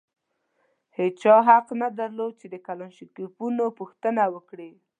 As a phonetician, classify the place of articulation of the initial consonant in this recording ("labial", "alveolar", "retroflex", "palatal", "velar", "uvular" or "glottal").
glottal